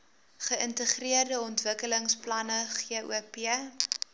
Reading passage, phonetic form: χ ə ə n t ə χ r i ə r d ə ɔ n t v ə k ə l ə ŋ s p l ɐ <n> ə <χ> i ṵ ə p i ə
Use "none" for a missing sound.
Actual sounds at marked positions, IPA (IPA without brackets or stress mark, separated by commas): n, χ